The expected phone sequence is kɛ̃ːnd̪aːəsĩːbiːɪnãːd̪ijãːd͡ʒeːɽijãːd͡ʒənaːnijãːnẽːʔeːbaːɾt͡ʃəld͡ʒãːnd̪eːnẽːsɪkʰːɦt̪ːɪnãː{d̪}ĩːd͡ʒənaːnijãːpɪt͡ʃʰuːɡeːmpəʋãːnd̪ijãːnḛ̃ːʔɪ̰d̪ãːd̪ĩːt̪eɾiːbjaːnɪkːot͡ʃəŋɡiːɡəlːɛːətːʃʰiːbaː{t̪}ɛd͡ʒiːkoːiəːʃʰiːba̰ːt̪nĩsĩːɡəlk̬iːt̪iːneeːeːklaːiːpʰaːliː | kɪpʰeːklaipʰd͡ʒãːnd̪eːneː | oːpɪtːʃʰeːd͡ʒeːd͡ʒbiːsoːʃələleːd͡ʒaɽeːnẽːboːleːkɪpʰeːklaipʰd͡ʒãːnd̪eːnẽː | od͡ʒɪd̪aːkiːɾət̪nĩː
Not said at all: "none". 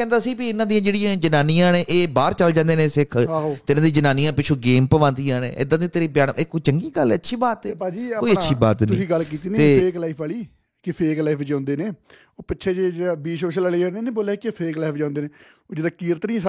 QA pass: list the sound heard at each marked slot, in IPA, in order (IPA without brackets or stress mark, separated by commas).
d̪, t̪